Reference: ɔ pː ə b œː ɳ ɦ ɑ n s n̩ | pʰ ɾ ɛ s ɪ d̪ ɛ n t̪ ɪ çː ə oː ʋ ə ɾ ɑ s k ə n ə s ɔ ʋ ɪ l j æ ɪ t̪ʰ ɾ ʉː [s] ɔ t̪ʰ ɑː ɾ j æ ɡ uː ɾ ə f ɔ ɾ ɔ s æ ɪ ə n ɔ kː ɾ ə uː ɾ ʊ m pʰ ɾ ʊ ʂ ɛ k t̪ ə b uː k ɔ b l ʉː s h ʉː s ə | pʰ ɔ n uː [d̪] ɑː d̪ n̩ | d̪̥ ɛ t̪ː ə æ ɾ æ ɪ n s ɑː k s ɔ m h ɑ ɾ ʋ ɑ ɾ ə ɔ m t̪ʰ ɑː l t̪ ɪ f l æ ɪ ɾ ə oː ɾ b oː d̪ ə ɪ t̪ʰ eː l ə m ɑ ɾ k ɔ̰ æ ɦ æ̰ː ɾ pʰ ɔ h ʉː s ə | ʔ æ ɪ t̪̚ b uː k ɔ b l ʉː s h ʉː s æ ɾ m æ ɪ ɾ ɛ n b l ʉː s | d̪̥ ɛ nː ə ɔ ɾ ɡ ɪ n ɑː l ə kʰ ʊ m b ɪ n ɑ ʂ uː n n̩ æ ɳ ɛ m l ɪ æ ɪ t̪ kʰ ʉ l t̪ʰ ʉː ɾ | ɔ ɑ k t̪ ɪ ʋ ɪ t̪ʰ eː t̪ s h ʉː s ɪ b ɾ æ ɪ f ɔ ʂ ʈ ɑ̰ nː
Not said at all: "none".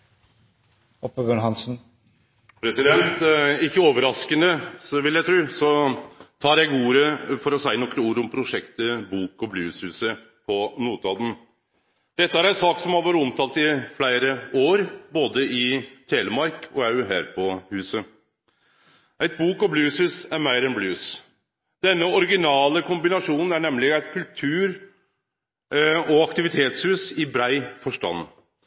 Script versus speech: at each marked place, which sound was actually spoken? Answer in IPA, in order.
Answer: s, t̪

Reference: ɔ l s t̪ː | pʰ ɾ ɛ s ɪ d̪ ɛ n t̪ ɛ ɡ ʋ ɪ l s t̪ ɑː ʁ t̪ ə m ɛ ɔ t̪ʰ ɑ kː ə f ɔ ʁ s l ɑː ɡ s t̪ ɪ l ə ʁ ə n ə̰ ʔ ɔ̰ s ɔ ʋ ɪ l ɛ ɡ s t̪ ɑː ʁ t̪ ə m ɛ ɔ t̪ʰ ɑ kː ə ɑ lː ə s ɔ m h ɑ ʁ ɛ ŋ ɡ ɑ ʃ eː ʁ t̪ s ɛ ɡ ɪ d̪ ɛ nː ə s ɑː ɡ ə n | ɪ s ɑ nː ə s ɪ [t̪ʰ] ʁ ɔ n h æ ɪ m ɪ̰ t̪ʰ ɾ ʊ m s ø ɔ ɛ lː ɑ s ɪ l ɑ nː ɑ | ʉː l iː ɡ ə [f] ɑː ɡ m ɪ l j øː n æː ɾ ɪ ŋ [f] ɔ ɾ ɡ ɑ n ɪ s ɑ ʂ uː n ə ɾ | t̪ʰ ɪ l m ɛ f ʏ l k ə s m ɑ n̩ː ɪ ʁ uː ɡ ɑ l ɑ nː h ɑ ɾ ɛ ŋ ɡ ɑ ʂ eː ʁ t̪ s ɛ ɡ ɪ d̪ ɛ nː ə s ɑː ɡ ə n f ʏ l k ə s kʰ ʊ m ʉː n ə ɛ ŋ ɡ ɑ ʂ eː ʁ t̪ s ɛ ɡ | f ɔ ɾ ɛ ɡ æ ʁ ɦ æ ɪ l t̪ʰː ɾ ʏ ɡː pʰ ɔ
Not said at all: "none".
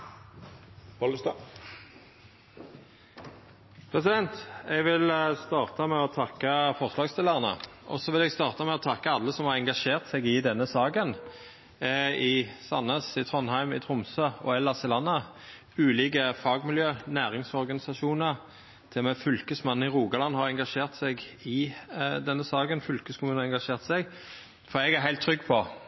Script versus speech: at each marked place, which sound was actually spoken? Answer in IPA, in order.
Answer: t̪ʰ, f, s

